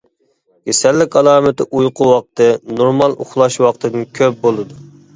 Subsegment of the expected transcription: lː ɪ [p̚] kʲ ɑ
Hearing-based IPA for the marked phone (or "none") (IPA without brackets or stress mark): none